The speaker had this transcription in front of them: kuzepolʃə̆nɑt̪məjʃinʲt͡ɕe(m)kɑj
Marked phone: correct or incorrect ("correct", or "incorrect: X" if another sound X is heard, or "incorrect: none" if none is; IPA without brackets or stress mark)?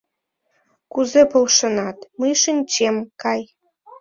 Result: correct